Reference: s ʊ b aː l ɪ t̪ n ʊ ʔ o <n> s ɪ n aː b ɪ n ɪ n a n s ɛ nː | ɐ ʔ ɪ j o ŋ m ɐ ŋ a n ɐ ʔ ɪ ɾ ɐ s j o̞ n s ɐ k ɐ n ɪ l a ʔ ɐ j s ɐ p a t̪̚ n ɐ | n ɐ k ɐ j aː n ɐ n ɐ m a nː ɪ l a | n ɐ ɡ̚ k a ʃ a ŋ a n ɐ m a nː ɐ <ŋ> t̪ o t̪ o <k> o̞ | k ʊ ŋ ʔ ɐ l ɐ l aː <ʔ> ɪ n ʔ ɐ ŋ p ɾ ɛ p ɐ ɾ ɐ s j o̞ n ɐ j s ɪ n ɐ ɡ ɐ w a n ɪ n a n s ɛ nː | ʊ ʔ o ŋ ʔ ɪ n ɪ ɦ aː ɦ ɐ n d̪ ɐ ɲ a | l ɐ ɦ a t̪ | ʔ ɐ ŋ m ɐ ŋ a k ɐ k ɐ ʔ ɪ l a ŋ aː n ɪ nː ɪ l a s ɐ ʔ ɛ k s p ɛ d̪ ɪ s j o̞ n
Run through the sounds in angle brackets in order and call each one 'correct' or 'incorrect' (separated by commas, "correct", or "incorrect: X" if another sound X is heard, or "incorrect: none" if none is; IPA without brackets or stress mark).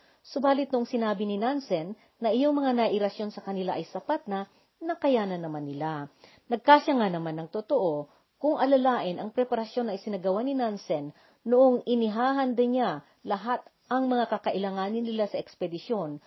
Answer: incorrect: ŋ, correct, incorrect: ʔ, correct